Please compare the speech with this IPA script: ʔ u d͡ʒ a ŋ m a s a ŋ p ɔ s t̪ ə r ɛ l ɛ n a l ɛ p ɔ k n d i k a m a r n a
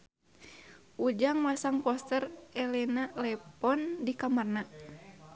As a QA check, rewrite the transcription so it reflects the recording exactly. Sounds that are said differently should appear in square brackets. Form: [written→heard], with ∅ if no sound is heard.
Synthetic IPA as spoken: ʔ u d͡ʒ a ŋ m a s a ŋ p ɔ s t̪ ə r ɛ l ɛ n a l ɛ p ɔ [k→∅] n d i k a m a r n a